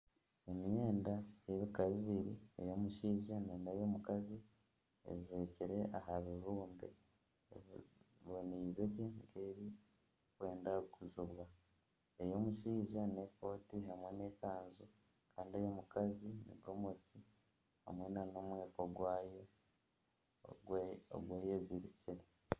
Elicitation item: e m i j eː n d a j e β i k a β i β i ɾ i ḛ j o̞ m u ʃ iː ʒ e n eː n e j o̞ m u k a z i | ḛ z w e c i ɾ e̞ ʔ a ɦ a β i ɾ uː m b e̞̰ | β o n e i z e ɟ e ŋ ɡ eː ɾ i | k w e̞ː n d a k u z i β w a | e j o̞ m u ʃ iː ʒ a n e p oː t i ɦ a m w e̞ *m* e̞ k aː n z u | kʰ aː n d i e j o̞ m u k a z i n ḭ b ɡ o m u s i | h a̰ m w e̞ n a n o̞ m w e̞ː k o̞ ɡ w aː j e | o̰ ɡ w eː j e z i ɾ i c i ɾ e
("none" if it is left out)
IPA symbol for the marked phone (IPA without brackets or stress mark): n